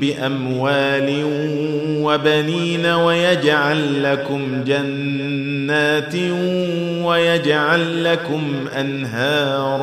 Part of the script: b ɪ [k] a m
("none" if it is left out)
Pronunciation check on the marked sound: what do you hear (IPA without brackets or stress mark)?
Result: ʔ